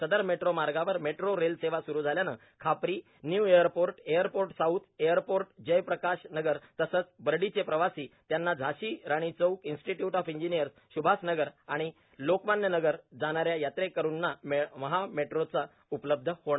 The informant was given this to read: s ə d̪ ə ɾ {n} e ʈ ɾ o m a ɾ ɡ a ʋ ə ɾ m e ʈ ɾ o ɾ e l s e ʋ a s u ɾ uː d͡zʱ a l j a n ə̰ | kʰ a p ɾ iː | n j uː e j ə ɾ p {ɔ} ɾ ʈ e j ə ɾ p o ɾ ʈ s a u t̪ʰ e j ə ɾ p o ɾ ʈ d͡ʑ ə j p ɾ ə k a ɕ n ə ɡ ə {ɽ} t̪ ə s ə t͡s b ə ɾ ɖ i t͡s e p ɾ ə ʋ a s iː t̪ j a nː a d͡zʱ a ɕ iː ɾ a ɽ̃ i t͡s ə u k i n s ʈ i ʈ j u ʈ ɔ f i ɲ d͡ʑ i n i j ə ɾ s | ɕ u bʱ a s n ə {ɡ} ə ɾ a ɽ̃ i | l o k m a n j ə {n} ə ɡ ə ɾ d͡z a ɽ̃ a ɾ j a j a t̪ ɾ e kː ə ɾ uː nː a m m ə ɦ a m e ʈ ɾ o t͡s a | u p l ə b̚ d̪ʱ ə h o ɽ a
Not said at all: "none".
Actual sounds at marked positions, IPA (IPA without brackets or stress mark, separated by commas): m, o, ɾ, ɡ, n